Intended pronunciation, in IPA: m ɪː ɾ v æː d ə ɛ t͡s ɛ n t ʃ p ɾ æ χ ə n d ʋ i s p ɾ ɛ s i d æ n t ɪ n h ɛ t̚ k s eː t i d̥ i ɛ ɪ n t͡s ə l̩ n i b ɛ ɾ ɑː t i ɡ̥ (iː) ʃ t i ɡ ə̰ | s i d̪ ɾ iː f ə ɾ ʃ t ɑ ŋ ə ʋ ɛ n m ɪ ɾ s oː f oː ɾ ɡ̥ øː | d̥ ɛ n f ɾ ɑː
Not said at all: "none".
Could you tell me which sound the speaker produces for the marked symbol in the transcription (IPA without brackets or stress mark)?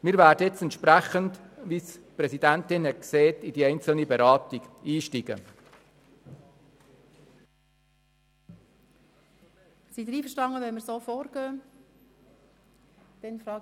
iː